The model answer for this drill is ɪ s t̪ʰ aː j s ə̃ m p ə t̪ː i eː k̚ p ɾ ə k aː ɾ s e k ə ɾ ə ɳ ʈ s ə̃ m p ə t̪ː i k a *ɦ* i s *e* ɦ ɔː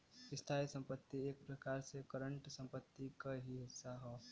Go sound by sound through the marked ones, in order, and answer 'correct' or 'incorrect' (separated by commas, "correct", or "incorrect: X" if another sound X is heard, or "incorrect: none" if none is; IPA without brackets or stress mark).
correct, incorrect: a